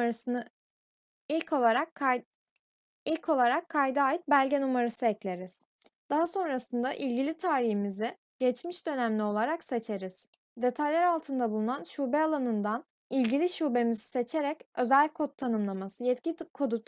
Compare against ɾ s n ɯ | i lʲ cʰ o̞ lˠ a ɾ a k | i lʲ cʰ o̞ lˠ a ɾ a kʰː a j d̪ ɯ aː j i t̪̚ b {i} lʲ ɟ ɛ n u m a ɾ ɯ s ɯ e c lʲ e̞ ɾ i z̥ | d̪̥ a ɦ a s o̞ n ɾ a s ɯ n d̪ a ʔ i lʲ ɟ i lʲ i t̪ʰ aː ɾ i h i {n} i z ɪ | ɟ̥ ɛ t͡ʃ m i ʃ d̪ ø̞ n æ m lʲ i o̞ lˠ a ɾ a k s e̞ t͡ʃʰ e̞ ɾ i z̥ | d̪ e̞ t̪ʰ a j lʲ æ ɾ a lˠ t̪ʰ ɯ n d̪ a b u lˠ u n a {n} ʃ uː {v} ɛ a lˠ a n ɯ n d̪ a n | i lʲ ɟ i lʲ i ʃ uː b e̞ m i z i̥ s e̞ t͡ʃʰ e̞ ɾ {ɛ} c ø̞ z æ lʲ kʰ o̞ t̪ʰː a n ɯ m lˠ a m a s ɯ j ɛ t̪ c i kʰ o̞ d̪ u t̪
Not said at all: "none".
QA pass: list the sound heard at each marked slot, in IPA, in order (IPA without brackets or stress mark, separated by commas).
æ, m, n, b, ɛ